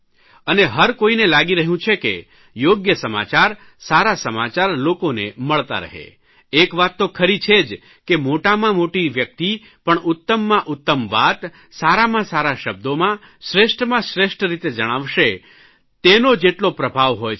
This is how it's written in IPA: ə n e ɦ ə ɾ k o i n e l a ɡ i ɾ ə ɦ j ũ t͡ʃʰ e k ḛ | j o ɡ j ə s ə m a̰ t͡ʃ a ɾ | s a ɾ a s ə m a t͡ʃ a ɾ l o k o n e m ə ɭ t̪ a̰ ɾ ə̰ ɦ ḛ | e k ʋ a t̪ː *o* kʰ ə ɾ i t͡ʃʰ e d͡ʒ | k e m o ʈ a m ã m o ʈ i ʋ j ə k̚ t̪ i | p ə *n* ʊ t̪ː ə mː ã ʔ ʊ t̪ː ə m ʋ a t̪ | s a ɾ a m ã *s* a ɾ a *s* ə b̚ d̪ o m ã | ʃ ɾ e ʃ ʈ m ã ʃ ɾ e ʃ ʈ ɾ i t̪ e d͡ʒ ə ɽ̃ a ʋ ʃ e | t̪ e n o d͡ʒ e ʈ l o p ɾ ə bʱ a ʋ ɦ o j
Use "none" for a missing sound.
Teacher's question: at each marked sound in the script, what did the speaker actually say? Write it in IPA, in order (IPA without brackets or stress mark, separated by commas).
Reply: o, ɳ, s, ʃ